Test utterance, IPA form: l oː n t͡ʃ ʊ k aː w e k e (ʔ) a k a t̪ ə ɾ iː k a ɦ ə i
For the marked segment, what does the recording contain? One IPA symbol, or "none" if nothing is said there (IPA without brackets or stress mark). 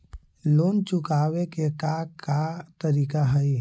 k